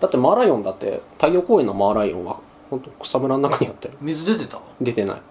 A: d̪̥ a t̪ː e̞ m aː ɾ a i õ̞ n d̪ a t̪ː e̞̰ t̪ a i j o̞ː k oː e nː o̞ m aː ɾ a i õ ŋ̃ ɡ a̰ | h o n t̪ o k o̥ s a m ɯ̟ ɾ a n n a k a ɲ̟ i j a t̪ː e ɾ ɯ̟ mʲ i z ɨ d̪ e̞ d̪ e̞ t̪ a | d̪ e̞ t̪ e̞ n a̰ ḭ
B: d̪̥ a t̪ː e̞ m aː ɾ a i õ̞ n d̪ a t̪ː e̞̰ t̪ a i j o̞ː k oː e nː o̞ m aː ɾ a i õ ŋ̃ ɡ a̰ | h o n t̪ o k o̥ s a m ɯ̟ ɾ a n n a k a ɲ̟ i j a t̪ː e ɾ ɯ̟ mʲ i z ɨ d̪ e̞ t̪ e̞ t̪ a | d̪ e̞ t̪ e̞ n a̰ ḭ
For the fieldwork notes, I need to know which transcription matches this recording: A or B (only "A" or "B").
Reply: B